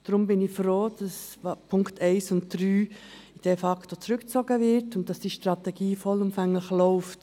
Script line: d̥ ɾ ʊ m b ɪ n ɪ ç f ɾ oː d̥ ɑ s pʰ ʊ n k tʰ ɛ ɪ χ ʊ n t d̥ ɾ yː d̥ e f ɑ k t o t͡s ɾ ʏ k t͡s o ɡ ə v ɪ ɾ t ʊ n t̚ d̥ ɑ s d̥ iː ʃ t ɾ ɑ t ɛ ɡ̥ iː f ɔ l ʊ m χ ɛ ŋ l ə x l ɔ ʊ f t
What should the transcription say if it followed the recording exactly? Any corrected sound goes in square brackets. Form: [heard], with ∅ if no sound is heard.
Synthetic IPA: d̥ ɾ ʊ m b ɪ n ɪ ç f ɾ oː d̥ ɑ s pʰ ʊ [ŋ] k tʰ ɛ ɪ [s] ʊ n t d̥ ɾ yː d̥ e f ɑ k t o t͡s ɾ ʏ k t͡s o ɡ ə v ɪ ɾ t ʊ n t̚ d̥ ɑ s d̥ iː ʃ t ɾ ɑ t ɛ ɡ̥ iː f ɔ l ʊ m [f] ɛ ŋ l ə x l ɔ ʊ f t